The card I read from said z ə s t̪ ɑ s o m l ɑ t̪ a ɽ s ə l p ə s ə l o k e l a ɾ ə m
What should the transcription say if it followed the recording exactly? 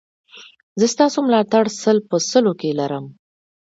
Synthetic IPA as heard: z ə s t̪ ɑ s o m l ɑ t̪ a ɽ s ə l p ə s ə l o k e l a ɾ ə m